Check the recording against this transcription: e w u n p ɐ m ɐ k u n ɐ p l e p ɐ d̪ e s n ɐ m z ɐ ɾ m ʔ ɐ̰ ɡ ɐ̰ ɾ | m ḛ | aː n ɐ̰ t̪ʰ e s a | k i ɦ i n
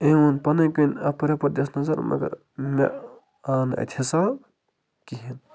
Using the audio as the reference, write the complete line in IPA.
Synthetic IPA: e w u n p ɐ n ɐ k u n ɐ p ɾ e p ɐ d̪ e s n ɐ z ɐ ɾ m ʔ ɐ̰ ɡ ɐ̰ ɾ | m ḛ | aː n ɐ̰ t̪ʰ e s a | k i ɦ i n